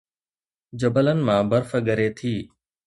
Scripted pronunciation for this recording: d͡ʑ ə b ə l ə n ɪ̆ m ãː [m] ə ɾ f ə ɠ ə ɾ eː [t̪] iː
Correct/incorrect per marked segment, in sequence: incorrect: b, incorrect: t̪ʰ

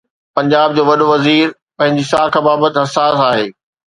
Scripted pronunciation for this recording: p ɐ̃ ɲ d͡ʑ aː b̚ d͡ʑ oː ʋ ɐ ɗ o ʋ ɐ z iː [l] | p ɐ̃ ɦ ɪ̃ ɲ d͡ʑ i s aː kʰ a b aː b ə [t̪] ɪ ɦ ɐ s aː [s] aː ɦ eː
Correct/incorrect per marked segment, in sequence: incorrect: ɾ, correct, correct

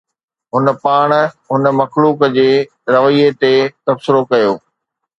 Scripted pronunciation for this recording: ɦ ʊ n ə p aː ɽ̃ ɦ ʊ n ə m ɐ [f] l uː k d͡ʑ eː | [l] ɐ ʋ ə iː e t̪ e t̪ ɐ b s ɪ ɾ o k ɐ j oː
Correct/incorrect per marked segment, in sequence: incorrect: x, incorrect: ɾ

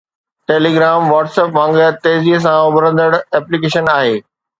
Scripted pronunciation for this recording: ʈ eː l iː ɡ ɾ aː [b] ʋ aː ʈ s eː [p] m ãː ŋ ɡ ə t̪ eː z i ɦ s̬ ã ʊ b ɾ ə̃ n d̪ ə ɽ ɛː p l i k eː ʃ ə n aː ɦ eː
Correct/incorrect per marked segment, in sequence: incorrect: m, correct

